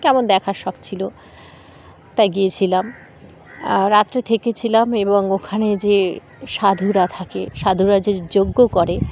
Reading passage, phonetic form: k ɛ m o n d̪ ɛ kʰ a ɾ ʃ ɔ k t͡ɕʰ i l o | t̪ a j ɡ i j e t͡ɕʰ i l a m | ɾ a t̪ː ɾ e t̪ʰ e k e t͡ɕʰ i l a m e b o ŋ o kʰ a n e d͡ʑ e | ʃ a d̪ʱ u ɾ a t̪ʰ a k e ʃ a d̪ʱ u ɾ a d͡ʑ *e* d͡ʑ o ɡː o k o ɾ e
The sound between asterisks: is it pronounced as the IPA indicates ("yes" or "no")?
yes